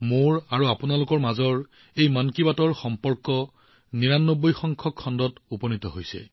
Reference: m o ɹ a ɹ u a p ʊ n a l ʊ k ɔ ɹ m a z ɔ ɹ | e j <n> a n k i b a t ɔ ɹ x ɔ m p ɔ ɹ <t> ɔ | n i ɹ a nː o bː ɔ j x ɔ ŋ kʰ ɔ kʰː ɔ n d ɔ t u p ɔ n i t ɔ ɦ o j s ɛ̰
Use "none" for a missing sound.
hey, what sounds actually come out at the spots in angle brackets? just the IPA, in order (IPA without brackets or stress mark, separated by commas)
m, k